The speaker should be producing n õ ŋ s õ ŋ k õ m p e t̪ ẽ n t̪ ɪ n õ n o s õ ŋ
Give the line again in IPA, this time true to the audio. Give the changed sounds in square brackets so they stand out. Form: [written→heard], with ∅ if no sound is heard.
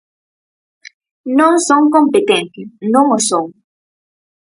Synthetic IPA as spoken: n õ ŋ s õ ŋ k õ m p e t̪ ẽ n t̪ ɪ n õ [n→ŋ] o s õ ŋ